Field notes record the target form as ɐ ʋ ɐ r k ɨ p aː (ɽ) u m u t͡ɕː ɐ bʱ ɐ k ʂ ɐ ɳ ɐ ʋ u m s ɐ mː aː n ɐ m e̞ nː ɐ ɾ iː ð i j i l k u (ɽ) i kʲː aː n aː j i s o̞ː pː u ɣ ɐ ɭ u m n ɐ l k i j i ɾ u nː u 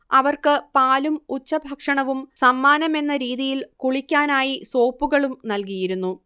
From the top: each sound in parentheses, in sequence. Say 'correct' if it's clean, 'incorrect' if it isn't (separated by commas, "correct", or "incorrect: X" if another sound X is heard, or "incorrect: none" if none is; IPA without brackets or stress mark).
incorrect: l, incorrect: ɭ